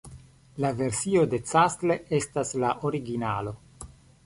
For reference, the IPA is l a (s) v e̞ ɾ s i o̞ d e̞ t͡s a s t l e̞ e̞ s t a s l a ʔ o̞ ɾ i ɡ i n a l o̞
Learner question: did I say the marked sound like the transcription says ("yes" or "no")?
no